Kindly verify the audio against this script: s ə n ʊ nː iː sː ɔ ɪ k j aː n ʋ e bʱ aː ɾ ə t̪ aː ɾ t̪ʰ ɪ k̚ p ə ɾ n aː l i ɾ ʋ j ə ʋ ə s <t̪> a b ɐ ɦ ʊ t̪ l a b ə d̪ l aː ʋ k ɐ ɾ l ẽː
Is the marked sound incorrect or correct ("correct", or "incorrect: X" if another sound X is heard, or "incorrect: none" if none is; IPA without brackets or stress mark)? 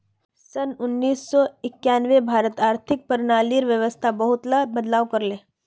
incorrect: t̪ʰ